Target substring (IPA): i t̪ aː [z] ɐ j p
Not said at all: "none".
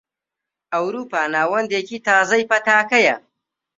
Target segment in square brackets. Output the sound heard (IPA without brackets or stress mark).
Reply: z